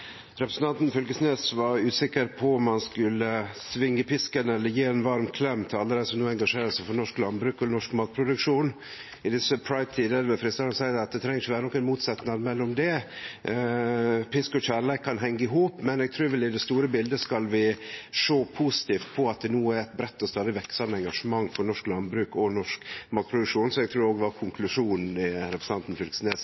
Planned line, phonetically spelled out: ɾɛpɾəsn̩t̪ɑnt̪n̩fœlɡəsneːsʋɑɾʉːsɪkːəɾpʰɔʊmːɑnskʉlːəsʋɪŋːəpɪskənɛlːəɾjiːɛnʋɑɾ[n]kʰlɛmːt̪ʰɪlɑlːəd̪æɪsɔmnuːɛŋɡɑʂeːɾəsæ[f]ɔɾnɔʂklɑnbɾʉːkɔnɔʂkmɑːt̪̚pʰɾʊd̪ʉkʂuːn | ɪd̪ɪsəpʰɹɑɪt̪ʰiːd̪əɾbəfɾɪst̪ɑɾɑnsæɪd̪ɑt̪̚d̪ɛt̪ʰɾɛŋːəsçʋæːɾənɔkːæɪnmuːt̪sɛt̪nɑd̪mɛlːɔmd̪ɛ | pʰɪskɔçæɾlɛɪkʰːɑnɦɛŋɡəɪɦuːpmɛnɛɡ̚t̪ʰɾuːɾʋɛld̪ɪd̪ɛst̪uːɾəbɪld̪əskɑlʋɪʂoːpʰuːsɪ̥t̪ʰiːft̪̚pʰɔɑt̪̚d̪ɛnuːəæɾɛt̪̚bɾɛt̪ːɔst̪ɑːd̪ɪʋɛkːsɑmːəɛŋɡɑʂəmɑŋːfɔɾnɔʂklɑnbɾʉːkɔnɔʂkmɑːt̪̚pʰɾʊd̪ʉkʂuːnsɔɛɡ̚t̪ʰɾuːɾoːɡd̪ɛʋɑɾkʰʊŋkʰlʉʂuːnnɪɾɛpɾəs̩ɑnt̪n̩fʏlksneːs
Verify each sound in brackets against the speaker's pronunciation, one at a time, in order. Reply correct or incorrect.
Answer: incorrect: m, correct

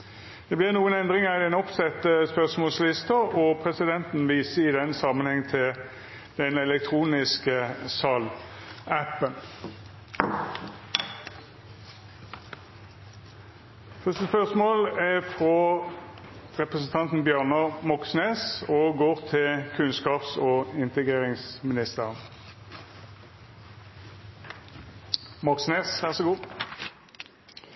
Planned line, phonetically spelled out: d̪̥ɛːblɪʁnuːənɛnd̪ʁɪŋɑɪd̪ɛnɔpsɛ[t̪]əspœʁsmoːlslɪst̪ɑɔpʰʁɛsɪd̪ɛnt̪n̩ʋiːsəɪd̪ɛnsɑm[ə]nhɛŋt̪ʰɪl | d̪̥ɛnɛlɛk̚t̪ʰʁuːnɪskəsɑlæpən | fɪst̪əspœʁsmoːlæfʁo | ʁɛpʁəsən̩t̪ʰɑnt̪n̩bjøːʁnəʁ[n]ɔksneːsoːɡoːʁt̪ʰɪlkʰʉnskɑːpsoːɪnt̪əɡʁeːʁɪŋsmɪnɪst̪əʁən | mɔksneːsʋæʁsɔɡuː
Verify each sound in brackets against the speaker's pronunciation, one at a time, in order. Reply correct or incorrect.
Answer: correct, correct, incorrect: m

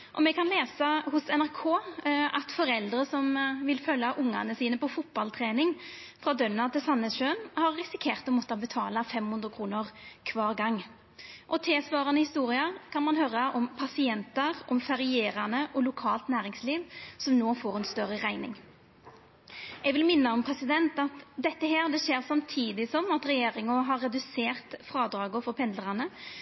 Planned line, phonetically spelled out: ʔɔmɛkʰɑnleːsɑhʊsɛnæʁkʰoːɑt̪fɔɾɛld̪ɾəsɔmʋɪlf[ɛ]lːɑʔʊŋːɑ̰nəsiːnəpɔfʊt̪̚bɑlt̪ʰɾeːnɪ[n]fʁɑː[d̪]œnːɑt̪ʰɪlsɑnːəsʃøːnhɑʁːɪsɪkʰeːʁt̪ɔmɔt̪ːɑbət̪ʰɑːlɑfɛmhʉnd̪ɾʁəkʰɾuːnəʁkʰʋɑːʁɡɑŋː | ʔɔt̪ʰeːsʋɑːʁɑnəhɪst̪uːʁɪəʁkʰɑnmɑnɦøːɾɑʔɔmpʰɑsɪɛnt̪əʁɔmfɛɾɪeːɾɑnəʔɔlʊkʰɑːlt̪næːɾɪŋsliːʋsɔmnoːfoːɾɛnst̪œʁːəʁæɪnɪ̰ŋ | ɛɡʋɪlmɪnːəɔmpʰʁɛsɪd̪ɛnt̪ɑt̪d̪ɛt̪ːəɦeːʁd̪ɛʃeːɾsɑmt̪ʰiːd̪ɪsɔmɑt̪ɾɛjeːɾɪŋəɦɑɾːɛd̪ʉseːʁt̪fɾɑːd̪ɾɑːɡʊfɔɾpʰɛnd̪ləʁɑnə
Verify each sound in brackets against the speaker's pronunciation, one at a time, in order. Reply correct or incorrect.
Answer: incorrect: œ, incorrect: ŋ, correct

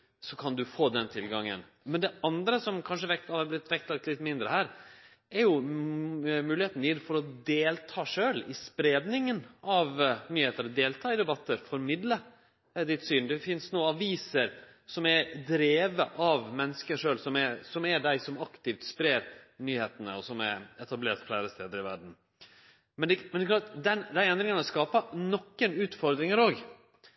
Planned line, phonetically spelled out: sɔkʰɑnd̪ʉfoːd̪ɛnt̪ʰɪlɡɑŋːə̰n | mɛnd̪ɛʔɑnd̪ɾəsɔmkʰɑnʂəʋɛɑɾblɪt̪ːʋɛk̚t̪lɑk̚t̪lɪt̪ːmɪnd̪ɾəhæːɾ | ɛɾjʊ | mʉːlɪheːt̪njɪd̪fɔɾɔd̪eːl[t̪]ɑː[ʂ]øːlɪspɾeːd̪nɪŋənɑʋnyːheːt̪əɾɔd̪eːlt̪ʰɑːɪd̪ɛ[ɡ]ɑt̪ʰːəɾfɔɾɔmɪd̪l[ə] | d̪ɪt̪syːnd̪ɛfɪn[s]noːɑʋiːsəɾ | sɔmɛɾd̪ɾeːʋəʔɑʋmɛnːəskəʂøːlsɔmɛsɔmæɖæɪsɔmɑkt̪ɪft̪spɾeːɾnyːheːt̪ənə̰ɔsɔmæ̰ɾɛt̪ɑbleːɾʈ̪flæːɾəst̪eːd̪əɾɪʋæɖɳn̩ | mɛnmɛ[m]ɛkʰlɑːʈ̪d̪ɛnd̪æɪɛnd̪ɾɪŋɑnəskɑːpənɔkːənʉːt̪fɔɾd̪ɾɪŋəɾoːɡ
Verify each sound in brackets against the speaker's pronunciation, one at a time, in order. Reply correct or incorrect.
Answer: incorrect: t̪ʰ, correct, incorrect: b, correct, correct, incorrect: n

